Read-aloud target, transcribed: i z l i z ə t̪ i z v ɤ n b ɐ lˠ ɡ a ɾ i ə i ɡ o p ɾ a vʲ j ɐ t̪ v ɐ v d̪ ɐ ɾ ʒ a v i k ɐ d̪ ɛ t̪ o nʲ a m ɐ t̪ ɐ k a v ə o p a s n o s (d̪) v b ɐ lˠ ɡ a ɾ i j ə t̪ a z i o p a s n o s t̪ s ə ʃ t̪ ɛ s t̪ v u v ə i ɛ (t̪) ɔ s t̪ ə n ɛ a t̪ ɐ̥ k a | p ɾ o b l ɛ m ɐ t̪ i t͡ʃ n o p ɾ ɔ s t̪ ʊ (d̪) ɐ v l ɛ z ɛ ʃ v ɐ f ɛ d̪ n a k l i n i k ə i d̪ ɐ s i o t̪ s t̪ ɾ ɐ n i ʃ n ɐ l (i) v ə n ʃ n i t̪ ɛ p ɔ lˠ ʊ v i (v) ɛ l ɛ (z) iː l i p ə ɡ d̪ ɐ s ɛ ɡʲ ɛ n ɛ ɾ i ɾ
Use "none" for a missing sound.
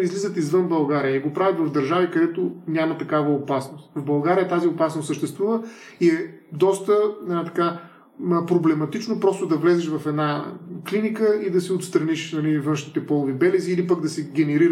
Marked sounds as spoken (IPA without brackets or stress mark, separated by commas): t̪, d̪, d̪, i, b, z